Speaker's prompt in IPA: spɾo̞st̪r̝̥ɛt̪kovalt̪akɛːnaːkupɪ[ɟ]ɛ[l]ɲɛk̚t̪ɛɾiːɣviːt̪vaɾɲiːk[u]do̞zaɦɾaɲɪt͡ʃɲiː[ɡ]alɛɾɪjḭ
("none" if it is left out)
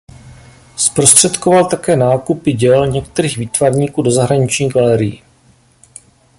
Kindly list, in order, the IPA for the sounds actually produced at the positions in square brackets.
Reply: ɟ, l, uː, ɡ

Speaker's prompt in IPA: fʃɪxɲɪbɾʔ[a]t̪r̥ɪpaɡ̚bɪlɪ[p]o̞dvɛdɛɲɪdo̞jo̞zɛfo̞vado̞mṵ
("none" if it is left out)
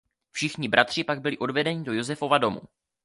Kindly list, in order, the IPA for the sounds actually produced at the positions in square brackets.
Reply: a, ʔ

